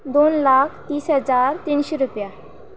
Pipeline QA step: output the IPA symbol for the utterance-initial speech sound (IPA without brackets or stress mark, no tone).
d̪